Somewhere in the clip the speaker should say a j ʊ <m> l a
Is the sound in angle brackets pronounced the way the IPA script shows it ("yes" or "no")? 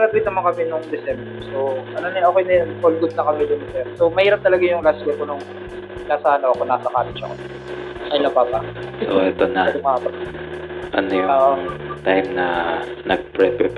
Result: no